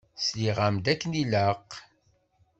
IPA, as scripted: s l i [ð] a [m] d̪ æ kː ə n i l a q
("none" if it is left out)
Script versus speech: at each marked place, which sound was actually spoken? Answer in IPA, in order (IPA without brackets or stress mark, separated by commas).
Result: ʁ, m